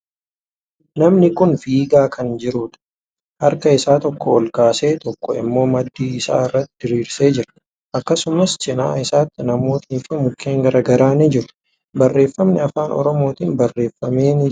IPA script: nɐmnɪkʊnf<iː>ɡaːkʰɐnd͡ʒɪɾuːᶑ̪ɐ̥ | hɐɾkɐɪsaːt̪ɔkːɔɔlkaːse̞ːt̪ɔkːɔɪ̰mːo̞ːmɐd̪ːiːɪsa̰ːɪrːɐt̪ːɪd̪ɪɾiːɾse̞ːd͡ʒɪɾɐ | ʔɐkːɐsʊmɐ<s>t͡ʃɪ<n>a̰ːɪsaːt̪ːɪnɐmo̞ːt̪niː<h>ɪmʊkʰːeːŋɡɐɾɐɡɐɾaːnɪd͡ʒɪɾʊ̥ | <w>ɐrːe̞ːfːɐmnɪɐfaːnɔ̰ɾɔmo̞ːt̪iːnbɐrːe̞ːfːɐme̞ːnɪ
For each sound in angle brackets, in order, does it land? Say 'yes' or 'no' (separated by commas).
yes, yes, yes, no, no